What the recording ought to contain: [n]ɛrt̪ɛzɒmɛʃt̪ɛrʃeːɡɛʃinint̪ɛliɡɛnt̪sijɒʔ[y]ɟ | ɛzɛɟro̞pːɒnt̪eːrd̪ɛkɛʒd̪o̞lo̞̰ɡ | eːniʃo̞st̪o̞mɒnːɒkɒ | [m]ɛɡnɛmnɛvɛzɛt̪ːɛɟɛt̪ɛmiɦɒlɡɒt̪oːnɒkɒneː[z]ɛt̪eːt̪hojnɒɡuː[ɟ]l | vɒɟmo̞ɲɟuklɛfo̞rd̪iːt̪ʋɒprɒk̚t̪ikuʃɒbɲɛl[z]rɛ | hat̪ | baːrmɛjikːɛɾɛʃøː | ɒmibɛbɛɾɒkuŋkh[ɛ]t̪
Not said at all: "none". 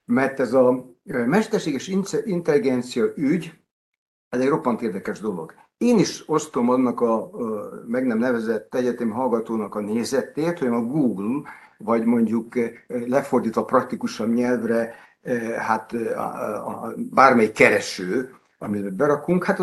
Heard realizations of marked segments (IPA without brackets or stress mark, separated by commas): m, y, m, z, ɡ, v, a